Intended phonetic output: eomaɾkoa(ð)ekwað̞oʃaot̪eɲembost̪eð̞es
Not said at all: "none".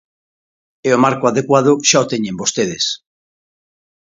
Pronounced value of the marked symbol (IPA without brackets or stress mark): ð